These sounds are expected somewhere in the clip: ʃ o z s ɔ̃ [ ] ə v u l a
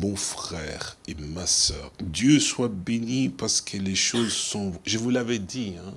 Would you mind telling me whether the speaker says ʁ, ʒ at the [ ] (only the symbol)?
ʒ